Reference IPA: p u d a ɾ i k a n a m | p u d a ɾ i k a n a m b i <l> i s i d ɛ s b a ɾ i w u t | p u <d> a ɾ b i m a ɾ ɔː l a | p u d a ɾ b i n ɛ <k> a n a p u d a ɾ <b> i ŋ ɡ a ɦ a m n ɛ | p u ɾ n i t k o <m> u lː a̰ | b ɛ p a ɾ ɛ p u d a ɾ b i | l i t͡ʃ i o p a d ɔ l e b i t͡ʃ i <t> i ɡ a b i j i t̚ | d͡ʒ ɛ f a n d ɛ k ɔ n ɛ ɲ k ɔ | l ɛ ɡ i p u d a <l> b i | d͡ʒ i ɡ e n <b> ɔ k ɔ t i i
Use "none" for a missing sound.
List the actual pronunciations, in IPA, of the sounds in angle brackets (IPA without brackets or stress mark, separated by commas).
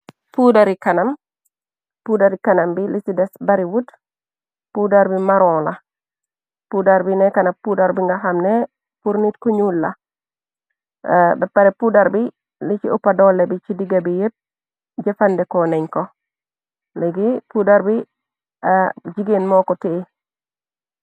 l, d, k, b, ɲ, d, ɾ, m